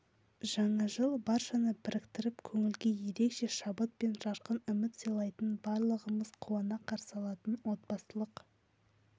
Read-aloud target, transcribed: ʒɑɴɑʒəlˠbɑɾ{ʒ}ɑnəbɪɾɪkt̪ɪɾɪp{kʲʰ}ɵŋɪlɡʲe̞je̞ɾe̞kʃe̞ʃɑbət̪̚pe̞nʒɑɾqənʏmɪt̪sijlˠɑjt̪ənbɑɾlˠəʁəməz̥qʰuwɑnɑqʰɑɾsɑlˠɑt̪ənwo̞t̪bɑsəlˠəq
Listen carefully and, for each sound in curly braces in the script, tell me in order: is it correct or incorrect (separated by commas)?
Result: incorrect, correct